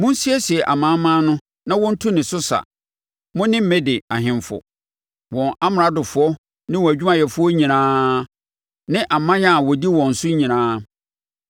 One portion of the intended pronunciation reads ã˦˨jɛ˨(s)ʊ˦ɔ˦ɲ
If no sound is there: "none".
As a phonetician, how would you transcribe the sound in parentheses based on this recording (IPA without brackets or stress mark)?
f